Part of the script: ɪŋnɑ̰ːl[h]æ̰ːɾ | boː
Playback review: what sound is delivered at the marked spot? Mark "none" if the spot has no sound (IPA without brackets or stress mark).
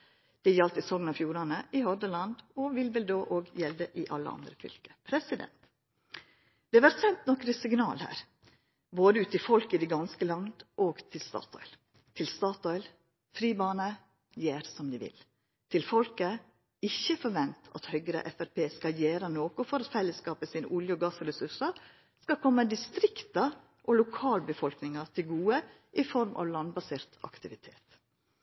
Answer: h